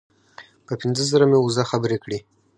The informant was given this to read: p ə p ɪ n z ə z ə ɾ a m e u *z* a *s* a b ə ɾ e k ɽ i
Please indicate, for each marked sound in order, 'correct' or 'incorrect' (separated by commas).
correct, incorrect